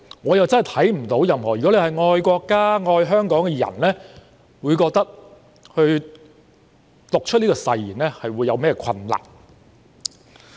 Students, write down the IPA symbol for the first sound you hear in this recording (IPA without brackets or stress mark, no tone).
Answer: ŋ